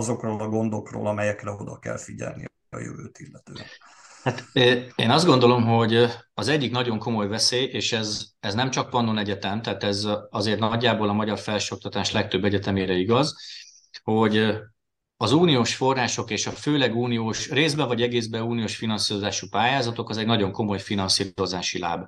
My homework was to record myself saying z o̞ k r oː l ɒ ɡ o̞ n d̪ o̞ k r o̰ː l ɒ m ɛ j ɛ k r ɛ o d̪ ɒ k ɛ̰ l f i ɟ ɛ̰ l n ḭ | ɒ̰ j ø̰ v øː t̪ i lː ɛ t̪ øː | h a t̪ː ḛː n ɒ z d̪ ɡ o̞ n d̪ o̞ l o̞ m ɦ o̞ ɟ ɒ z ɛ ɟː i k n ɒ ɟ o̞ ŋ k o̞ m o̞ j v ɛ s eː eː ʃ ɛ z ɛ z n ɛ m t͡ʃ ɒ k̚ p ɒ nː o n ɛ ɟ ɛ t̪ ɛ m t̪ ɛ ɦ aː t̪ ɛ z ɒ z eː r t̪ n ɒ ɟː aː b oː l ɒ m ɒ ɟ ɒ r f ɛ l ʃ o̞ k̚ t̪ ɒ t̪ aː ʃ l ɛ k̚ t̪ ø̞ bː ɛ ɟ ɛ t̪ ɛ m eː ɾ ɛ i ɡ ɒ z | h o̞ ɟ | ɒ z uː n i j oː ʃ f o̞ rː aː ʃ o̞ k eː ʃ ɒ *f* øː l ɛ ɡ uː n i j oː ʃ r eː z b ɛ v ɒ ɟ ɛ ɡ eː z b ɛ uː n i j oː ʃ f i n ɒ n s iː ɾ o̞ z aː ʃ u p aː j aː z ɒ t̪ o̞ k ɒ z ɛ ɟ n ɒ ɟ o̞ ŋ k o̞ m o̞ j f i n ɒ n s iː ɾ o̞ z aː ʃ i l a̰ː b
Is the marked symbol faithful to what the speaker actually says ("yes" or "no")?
yes